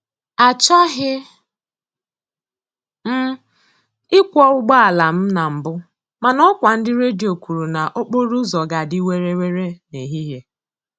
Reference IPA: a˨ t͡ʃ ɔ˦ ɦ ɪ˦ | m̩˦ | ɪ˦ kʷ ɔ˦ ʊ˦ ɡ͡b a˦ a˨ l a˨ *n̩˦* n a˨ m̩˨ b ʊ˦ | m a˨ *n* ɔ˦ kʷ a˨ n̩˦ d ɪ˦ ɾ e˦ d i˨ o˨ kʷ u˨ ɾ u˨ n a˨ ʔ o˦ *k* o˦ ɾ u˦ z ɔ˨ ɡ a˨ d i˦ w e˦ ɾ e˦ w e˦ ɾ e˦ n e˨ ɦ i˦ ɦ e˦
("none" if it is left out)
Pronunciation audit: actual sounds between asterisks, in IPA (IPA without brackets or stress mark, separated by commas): m̩˦, n, k͡p